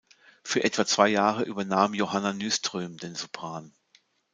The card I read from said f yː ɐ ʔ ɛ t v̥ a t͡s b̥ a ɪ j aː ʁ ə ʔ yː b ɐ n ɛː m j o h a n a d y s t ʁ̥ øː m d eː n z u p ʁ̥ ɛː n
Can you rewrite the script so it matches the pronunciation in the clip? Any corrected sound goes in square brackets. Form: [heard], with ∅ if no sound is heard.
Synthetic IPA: f yː ɐ ʔ ɛ t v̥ a t͡s [v̥] a ɪ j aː ʁ ə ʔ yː b ɐ n [aː] m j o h a n a [n] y s t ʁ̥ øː m d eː n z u p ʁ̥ [aː] n